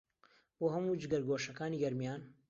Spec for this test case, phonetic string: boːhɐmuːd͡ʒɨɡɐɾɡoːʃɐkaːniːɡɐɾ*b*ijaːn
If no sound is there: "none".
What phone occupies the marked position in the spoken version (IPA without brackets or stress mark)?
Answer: m